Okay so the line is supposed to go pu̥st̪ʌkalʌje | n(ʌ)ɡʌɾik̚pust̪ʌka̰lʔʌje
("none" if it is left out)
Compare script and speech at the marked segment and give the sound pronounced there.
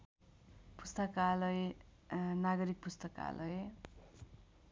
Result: a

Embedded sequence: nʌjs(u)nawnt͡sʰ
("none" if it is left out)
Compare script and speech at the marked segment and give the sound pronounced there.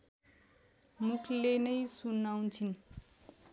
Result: u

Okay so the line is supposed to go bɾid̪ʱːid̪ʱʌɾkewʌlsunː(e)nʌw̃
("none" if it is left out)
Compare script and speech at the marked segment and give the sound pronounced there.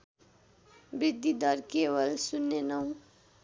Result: e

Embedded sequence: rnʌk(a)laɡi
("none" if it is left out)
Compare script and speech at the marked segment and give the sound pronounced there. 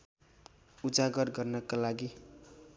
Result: a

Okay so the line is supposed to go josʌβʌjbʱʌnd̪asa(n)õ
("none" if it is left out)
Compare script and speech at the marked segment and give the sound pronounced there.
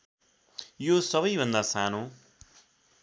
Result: n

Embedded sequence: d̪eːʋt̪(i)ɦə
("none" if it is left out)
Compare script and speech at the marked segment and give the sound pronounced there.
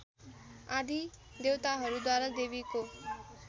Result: a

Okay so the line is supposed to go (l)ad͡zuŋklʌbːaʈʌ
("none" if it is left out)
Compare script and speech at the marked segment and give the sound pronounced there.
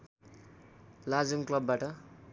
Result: l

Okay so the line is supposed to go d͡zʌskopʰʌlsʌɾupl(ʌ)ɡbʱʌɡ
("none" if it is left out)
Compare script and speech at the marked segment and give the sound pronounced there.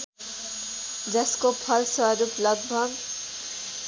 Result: ʌ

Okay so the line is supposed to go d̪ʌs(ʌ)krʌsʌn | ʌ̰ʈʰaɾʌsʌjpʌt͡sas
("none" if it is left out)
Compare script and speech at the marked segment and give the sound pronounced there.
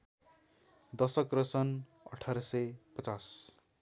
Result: ʌ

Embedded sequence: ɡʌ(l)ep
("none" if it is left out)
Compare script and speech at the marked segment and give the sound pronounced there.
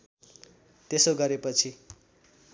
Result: ɾ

